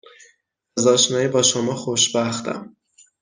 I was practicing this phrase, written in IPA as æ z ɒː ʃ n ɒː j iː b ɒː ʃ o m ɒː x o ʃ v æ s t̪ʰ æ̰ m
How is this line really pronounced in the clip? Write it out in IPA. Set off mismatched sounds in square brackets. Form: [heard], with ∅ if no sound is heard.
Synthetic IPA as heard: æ z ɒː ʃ n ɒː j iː b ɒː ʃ o m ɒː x o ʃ [b] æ [x] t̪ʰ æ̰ m